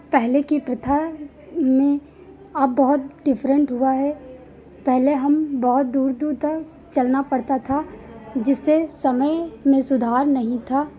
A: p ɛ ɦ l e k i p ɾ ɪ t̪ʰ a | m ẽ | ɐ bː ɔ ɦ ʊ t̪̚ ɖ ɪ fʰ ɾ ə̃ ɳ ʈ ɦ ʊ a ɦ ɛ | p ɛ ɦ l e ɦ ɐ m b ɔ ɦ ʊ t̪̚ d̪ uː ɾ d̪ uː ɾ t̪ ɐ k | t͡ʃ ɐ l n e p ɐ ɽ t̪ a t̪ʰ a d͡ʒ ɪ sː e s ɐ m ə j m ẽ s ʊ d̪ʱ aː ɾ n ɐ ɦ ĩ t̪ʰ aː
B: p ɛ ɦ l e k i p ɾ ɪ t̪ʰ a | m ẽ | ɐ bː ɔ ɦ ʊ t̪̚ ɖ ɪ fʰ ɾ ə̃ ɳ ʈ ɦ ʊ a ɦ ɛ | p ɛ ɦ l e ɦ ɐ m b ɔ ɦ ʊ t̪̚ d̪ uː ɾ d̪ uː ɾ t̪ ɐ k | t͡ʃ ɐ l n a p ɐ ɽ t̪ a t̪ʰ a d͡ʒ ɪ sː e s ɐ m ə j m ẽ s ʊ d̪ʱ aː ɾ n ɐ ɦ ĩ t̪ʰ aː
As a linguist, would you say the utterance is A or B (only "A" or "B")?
B